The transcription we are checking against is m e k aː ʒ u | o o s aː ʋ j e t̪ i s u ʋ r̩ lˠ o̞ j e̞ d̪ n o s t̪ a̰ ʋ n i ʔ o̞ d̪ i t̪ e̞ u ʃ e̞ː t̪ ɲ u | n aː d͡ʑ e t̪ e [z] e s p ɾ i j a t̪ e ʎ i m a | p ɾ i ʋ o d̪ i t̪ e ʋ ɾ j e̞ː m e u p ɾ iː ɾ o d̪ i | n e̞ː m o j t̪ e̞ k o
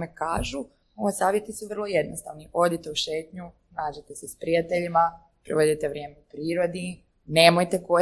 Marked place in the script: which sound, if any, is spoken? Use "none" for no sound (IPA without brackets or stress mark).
s